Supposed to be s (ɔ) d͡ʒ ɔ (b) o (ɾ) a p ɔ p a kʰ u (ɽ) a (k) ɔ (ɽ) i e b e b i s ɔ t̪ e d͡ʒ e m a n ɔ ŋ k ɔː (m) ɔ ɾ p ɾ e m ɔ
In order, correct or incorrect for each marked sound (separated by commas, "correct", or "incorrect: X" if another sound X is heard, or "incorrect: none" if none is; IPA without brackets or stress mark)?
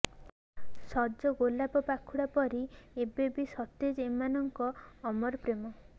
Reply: correct, incorrect: ɡ, incorrect: l, correct, incorrect: p, incorrect: ɾ, correct